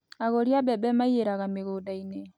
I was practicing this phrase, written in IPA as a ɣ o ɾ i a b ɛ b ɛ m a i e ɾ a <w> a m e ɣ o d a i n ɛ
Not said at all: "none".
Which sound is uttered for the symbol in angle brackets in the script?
ɣ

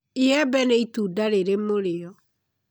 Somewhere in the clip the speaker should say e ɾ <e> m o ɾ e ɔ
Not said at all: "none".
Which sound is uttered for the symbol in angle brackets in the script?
e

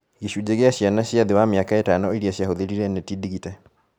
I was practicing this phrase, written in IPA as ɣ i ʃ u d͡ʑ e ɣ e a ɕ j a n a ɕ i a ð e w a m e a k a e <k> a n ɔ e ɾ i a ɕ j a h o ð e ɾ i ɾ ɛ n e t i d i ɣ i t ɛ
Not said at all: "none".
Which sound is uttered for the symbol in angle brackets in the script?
t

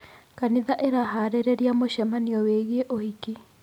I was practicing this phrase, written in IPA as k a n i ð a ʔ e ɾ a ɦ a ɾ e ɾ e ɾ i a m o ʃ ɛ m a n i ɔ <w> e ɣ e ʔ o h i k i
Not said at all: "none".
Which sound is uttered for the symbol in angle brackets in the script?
w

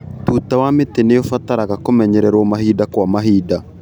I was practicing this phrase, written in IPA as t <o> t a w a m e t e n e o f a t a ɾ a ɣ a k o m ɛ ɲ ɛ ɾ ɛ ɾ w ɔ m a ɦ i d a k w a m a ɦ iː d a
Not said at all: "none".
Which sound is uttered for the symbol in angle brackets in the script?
u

